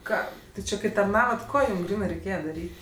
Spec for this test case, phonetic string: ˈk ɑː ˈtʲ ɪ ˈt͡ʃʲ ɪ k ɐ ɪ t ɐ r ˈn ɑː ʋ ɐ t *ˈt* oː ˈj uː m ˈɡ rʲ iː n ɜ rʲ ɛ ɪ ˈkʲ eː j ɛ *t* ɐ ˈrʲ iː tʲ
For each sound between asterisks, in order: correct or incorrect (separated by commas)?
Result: incorrect, incorrect